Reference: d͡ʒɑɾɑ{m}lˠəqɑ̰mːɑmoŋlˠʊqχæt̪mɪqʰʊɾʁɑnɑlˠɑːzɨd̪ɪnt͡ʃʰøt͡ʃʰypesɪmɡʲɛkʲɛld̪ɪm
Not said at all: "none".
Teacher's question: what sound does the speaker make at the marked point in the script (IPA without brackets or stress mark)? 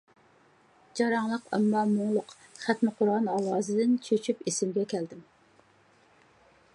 ŋ